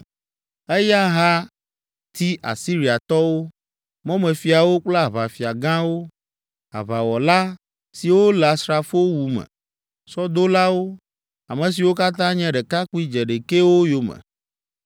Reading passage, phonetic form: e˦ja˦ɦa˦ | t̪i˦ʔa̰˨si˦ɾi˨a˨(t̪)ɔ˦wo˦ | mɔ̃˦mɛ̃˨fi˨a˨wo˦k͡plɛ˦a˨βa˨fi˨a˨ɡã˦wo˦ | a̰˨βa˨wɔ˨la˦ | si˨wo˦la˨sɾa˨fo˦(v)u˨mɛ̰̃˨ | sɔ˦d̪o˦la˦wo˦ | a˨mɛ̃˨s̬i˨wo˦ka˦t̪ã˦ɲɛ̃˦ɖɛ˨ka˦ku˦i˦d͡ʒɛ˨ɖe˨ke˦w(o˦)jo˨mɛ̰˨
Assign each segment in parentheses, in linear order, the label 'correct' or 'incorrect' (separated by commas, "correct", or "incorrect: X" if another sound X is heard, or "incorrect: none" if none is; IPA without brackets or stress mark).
correct, incorrect: w, correct